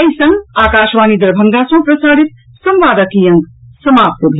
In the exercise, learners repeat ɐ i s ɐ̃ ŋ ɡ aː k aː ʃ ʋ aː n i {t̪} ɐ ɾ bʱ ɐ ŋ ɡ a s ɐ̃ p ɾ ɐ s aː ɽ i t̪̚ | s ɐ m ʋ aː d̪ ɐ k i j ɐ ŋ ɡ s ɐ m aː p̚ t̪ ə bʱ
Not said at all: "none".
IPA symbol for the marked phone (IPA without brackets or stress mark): d̪